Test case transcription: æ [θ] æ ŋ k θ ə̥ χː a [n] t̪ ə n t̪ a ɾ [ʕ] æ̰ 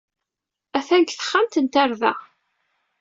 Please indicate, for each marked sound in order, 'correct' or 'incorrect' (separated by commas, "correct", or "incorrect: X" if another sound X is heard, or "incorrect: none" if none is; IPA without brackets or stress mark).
correct, incorrect: m, incorrect: ð